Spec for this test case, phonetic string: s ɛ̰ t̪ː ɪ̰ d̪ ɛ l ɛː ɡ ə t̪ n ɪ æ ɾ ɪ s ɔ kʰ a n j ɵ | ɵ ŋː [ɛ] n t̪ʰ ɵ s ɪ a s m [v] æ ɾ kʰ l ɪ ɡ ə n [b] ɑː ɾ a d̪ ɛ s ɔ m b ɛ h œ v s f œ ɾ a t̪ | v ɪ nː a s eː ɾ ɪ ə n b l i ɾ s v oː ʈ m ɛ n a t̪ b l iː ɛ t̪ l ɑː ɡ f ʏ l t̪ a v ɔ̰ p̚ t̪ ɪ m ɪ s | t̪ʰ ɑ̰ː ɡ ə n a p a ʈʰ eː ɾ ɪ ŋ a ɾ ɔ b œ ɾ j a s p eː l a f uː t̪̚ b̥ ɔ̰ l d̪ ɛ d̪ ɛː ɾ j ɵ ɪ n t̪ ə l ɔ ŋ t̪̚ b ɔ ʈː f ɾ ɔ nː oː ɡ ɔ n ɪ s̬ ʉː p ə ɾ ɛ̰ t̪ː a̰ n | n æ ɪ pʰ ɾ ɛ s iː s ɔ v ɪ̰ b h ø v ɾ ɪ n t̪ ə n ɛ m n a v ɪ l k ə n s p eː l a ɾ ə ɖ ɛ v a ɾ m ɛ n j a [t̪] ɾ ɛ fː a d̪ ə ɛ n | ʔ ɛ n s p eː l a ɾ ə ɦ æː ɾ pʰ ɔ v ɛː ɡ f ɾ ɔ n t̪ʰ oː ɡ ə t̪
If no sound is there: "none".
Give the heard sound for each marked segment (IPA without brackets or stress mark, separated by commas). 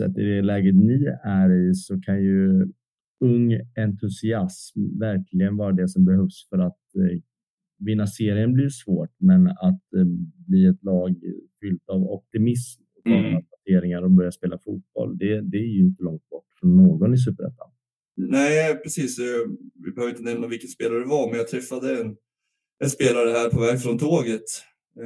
ɛ, v, v, t̪ʰ